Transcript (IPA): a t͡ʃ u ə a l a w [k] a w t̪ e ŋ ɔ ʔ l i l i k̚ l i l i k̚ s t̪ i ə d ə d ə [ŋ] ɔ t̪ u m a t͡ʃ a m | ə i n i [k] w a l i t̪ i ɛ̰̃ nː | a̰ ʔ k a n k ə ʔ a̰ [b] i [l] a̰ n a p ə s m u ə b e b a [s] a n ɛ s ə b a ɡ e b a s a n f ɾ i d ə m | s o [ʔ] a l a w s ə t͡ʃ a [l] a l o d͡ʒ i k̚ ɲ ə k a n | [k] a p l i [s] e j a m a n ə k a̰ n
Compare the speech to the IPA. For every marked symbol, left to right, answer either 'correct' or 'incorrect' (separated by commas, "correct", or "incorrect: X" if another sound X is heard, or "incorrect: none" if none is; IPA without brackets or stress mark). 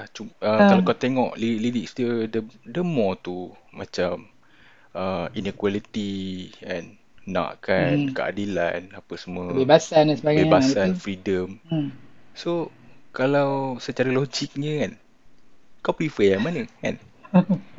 correct, incorrect: m, correct, incorrect: d, correct, correct, incorrect: k, incorrect: ɾ, correct, incorrect: f